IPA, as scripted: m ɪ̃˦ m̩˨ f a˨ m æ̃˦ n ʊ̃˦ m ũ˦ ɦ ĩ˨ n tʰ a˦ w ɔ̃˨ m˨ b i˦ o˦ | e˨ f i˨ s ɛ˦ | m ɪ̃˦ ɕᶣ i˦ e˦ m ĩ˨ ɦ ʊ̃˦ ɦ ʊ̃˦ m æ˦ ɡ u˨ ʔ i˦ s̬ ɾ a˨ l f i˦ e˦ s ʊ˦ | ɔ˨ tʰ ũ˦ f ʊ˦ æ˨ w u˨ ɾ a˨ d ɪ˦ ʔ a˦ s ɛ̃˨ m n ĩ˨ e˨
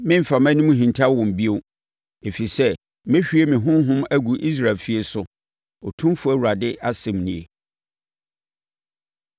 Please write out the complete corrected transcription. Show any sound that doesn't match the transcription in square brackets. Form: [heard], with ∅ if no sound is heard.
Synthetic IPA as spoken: m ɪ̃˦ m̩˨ f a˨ m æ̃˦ n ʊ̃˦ m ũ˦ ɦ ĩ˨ n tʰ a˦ w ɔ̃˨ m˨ b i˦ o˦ | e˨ f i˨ s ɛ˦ | m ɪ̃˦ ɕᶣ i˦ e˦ m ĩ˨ ɦ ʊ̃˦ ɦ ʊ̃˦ m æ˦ ɡ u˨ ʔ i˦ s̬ ɾ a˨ l f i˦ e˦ s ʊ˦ | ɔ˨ tʰ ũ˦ f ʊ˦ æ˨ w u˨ ɾ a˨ d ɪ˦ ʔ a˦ s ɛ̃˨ m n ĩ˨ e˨